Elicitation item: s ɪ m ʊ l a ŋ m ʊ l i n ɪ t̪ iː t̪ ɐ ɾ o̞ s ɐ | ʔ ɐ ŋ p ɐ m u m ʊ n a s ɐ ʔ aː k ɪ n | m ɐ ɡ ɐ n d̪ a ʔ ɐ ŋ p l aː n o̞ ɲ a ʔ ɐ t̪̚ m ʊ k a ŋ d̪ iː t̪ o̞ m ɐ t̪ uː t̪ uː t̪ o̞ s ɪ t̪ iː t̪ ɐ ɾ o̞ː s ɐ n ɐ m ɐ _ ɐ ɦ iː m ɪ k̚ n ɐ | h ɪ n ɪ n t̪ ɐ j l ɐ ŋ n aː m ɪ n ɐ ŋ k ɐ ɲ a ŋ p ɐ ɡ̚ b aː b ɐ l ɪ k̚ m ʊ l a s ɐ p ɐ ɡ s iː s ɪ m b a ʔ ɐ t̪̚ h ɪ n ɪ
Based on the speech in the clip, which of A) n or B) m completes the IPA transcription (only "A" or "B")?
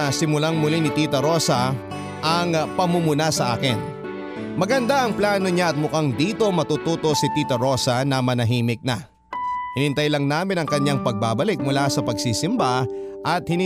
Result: A